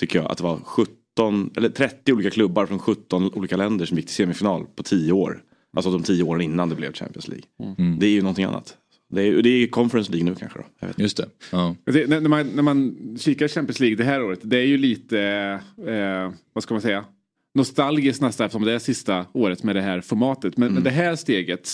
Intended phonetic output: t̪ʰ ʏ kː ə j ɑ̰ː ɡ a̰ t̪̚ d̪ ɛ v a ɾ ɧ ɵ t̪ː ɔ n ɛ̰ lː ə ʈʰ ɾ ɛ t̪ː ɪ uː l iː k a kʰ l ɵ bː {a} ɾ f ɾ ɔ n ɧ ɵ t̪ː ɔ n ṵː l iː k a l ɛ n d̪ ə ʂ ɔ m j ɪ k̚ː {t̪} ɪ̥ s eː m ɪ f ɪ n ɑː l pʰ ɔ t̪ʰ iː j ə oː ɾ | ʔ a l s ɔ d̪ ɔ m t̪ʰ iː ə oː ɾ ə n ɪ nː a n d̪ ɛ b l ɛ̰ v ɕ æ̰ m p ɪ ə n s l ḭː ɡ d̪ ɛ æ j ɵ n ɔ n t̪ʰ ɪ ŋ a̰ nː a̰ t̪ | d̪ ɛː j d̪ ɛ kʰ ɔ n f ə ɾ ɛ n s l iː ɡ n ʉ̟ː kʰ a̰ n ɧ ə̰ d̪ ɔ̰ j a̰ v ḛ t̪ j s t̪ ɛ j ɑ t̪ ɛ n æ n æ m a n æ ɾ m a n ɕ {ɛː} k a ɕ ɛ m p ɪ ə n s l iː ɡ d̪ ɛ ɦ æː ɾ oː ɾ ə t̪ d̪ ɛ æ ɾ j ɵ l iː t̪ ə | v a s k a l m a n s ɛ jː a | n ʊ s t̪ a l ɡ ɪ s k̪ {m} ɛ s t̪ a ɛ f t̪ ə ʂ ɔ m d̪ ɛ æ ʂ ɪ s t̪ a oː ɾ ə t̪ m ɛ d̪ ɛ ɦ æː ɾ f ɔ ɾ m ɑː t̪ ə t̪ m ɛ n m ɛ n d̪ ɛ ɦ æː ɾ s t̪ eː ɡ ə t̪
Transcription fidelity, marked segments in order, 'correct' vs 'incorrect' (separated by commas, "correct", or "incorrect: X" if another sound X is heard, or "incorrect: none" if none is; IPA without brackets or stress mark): correct, correct, incorrect: iː, incorrect: n